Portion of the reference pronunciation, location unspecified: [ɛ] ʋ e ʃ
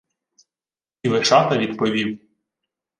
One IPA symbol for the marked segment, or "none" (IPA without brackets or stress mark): i